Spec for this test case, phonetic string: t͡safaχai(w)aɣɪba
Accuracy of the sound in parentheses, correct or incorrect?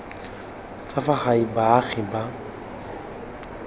incorrect